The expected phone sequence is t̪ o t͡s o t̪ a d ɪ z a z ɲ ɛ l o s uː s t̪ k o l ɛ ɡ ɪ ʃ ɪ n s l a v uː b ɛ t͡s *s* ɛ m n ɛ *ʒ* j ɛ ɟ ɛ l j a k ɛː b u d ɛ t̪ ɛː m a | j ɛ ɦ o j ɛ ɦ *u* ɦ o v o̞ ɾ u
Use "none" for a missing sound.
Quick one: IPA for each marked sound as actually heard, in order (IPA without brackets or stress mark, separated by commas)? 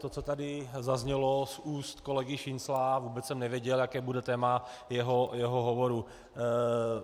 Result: s, v, o